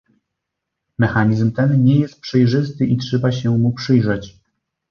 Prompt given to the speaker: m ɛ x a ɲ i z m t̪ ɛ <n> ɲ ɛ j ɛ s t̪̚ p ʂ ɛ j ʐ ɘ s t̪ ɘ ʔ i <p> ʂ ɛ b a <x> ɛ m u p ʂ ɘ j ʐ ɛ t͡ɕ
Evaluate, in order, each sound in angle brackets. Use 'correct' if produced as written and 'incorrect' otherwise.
correct, incorrect, incorrect

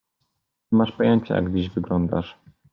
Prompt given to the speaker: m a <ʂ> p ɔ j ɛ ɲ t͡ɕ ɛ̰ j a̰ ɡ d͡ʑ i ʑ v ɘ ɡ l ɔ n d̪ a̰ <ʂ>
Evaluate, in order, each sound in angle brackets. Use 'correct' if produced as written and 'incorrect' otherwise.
correct, correct

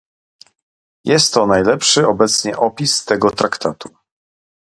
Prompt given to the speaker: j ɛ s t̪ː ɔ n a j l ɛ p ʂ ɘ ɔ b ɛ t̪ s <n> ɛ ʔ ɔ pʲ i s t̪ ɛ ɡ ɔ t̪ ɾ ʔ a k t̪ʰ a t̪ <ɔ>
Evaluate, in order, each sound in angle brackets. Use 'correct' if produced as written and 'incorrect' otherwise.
incorrect, incorrect

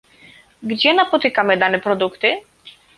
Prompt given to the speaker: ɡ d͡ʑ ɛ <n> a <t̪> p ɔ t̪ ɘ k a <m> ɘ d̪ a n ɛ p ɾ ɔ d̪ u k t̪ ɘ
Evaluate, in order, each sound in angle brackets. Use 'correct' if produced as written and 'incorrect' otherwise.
correct, incorrect, correct

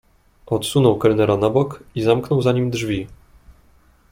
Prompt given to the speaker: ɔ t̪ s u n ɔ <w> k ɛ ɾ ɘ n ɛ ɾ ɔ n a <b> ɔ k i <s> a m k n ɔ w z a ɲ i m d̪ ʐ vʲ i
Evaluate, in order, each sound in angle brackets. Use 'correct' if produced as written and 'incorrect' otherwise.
correct, correct, incorrect

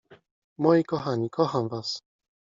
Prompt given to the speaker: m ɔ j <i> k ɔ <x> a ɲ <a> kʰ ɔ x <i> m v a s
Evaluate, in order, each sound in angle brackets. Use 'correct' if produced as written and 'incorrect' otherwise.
correct, correct, incorrect, incorrect

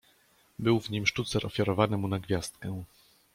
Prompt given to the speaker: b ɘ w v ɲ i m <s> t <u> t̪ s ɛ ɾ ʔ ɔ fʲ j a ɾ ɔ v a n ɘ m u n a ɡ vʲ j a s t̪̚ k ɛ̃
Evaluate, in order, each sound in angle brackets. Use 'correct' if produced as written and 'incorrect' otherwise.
incorrect, correct

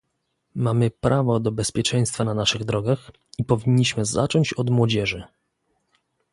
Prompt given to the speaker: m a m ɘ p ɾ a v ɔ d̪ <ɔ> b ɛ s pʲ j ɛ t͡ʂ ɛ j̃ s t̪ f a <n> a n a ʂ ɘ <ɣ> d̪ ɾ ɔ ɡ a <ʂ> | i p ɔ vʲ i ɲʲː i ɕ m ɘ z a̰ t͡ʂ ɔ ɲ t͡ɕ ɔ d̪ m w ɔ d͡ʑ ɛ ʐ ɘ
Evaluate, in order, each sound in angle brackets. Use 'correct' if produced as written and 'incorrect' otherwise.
correct, correct, correct, incorrect

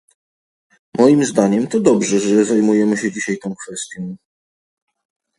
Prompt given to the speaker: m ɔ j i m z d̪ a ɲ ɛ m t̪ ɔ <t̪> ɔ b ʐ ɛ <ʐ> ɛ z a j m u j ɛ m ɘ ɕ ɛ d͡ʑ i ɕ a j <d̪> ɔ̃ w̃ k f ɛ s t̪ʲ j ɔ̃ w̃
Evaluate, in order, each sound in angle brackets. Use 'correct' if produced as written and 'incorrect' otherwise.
incorrect, correct, incorrect

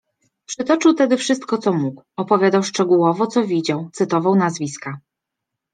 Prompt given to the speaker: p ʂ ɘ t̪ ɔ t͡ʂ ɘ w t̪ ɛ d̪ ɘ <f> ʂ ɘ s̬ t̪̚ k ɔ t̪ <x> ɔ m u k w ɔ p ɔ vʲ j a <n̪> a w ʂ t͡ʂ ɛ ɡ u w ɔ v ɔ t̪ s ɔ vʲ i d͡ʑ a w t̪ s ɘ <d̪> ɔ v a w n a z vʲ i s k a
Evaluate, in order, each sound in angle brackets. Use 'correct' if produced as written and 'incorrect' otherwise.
correct, incorrect, incorrect, incorrect

